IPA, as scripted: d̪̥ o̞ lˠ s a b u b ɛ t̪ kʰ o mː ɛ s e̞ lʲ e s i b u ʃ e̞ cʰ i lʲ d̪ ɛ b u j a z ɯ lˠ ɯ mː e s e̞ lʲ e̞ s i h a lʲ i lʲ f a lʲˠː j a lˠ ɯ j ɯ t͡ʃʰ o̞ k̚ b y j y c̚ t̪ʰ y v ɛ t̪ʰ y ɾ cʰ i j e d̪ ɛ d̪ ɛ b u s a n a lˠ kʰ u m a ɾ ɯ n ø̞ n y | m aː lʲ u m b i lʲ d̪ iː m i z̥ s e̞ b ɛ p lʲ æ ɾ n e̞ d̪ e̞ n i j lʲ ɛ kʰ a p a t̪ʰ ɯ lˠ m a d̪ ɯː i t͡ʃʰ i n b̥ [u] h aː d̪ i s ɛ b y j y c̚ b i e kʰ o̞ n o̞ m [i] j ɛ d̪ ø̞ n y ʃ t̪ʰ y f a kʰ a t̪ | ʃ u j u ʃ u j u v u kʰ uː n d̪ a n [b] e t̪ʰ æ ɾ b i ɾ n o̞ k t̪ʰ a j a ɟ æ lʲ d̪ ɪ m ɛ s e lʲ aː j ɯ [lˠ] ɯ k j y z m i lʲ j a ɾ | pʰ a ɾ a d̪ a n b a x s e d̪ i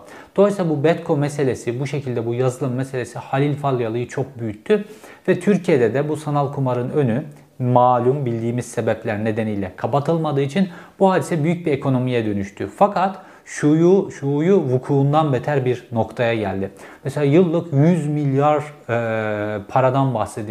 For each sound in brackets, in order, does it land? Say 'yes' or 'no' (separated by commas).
yes, yes, yes, no